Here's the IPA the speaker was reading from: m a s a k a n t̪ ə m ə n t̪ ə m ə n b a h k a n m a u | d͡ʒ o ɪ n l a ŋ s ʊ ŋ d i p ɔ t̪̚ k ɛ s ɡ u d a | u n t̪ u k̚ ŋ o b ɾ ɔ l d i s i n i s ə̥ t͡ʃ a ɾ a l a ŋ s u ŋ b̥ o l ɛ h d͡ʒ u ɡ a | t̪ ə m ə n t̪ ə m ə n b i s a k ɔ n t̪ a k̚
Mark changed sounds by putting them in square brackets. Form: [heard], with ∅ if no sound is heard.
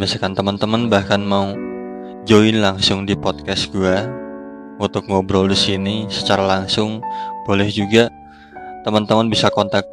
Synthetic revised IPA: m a s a k a n t̪ ə m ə n t̪ ə m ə n b a h k a n m a u | d͡ʒ o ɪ n l a ŋ s ʊ ŋ d i p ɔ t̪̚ k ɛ s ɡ u [∅] a | u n t̪ [ʊ] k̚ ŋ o b ɾ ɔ l d i s i n i s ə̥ t͡ʃ a ɾ a l a ŋ s [ʊ] ŋ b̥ o l ɛ h d͡ʒ u ɡ a | t̪ ə m ə n t̪ ə m ə n b i s a k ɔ n t̪ a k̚